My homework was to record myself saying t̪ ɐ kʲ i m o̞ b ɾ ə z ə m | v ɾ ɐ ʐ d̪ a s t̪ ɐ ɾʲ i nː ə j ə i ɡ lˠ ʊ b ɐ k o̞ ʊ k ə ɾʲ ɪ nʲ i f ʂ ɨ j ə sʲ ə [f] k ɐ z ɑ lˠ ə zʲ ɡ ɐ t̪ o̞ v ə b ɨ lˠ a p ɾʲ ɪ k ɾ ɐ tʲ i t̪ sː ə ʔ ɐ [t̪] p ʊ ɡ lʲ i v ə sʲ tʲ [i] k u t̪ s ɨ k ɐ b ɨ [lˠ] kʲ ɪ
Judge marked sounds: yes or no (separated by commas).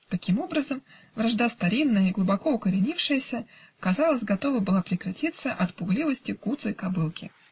no, yes, no, yes